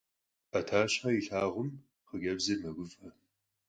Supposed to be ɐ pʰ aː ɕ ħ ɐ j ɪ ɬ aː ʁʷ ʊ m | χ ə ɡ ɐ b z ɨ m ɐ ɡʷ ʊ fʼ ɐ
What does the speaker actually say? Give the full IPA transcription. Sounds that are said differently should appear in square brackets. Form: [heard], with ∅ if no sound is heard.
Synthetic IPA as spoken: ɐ [tʰ] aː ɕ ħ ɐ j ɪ ɬ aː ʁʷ ʊ m | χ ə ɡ ɐ b z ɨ m ɐ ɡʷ ʊ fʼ ɐ

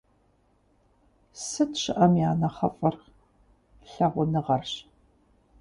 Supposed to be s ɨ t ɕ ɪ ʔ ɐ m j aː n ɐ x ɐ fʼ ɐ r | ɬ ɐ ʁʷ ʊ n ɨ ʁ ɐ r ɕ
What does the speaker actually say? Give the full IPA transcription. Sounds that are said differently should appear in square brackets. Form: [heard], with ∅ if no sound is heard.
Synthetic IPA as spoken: s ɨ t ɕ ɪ ʔ ɐ m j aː n ɐ [χ] ɐ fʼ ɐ r | ɬ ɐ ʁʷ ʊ n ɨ ʁ ɐ r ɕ

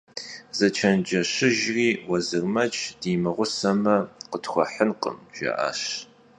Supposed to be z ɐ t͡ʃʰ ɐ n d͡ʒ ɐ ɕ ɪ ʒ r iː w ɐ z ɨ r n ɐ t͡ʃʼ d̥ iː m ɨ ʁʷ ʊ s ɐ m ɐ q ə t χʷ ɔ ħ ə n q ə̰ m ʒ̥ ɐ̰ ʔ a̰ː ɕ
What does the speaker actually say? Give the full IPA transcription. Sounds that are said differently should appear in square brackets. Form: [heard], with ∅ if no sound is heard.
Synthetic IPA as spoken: z ɐ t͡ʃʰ ɐ n d͡ʒ ɐ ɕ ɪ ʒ r iː w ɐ z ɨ r [m] ɐ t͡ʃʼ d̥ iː m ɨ ʁʷ ʊ s ɐ m ɐ q ə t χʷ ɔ ħ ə n q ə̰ m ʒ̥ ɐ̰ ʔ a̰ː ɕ

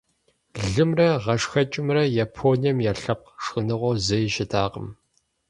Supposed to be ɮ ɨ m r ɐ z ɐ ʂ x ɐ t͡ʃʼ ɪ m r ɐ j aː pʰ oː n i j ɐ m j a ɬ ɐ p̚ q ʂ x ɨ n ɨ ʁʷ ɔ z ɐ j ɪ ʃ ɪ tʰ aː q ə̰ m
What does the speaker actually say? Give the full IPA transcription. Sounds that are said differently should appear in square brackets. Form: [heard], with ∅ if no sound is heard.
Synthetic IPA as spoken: ɮ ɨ m r ɐ [ʁ] ɐ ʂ x ɐ t͡ʃʼ ɪ m r ɐ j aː pʰ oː n i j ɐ m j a ɬ ɐ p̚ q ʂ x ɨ n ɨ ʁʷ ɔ z ɐ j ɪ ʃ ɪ tʰ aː q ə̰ m

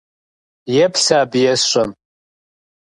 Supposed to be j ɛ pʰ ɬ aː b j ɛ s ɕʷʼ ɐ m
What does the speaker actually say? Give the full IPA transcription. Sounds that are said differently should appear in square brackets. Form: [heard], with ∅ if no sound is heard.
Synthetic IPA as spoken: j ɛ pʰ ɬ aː b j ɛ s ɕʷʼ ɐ m

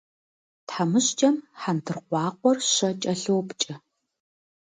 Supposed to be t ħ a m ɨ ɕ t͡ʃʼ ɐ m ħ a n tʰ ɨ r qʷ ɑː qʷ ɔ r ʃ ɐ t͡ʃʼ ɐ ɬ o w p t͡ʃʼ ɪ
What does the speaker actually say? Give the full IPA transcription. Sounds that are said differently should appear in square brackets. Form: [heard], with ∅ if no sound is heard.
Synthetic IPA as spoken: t ħ a m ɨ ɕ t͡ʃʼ ɐ m ħ a n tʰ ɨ r qʷ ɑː qʷ ɔ r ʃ ɐ t͡ʃʼ ɐ ɬ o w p t͡ʃʼ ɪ

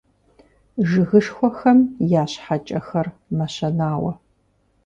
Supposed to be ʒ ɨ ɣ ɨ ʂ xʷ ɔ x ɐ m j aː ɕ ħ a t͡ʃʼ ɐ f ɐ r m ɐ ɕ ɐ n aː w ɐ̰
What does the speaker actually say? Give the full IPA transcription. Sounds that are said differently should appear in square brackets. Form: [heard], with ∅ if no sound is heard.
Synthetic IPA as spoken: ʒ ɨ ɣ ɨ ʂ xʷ ɔ x ɐ m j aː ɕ ħ a t͡ʃʼ ɐ [x] ɐ r m ɐ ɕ ɐ n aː w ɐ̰

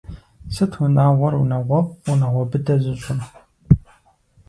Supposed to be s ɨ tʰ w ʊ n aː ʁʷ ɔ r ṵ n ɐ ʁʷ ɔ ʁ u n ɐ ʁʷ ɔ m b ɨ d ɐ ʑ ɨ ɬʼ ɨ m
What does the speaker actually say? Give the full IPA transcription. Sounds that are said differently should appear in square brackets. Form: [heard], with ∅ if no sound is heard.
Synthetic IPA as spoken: s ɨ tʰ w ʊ n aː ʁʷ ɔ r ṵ n ɐ ʁʷ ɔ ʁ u n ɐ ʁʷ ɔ [∅] b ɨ d ɐ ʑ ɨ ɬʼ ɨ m

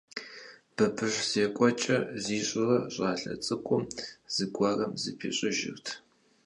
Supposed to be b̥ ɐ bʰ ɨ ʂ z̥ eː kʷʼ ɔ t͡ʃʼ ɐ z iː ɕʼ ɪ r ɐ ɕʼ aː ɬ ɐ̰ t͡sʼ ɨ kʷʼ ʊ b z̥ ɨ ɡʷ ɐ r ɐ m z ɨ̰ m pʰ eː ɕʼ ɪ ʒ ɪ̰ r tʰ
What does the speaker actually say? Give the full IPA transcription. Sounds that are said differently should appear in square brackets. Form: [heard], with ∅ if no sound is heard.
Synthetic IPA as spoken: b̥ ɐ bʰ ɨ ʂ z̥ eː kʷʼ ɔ t͡ʃʼ ɐ z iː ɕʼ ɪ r ɐ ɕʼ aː ɬ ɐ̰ t͡sʼ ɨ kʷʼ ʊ [m] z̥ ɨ ɡʷ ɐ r ɐ m z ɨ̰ [∅] pʰ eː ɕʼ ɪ ʒ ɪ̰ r tʰ

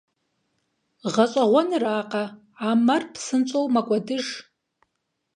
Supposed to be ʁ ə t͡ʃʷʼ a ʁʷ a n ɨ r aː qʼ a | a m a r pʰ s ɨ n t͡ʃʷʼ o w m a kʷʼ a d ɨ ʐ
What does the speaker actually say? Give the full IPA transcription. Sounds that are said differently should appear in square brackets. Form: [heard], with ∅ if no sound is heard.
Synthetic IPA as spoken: ʁ [a] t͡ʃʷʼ a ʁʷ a n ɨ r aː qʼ a | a m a r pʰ s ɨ n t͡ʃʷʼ o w m a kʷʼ a d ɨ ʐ

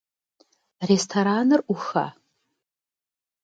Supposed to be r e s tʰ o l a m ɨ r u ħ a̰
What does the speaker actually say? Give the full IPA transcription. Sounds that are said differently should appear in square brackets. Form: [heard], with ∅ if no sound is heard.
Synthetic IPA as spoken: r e s tʰ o [ɾ] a [n] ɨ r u [x] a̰

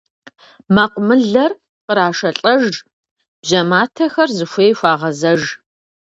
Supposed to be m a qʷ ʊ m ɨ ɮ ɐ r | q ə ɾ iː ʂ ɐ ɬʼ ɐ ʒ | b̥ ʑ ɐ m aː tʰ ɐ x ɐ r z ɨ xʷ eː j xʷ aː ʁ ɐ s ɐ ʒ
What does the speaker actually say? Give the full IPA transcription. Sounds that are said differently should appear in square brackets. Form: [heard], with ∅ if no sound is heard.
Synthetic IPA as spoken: m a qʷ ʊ m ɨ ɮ ɐ r | q ə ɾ [aː] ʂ ɐ ɬʼ ɐ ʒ | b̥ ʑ ɐ m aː tʰ ɐ x ɐ r z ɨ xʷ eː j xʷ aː ʁ ɐ [z] ɐ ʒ

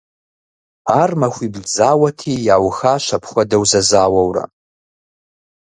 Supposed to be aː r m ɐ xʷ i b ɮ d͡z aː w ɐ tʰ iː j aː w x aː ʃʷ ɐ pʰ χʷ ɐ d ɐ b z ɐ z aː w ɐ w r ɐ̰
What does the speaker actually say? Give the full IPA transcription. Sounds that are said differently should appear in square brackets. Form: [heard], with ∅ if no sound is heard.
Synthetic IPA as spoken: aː r m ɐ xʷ i b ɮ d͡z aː w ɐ tʰ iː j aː w x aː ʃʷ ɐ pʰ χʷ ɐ d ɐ [w] z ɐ z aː w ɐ w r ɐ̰

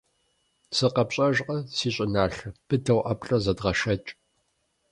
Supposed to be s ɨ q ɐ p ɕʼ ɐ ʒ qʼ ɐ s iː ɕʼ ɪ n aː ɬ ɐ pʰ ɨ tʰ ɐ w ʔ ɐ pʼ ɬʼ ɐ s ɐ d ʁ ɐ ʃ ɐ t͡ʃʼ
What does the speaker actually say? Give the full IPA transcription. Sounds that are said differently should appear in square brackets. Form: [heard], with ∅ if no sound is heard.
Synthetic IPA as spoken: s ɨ q ɐ p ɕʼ ɐ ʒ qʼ ɐ s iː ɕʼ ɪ n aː ɬ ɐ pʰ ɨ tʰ ɐ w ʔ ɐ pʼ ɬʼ ɐ [z] ɐ d ʁ ɐ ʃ ɐ t͡ʃʼ

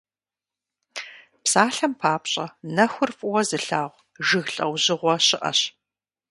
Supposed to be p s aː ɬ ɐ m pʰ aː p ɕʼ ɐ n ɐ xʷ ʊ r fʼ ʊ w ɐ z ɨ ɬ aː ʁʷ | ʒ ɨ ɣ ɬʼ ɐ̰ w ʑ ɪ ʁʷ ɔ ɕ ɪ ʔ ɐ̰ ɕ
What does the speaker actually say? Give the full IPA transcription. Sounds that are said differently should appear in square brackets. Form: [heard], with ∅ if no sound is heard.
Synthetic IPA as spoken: p s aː ɬ ɐ m pʰ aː p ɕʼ ɐ n ɐ xʷ ʊ r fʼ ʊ w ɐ z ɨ ɬ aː ʁʷ | ʒ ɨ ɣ ɬʼ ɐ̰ w ʑ ɪ ʁʷ ɔ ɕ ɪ ʔ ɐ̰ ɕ

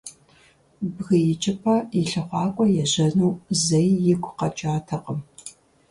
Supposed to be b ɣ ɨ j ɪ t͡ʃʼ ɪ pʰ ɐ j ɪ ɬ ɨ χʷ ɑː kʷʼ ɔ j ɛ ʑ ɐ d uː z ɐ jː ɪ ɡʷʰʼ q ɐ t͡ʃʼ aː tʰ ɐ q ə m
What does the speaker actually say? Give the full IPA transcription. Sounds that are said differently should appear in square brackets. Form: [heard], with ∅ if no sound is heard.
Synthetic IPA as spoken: b ɣ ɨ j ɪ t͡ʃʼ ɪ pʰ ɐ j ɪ ɬ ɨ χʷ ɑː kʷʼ ɔ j ɛ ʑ ɐ [n] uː z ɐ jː ɪ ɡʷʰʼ q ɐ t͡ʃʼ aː tʰ ɐ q ə m

